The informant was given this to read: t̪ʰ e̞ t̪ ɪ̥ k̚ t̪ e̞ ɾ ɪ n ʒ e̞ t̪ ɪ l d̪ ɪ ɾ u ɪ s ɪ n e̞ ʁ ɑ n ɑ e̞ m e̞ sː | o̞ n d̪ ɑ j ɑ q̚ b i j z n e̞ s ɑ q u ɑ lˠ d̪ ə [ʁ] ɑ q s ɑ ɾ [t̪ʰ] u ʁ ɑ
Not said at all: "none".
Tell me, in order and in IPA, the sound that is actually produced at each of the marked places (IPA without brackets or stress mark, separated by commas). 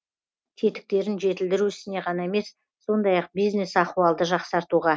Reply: ʒ, t̪